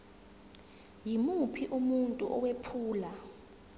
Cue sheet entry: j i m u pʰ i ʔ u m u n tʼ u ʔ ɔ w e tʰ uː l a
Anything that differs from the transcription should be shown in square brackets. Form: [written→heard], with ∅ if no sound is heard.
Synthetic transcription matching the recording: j i m u pʰ i ʔ u m u n tʼ u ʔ ɔ w e [tʰ→pʰ] uː l a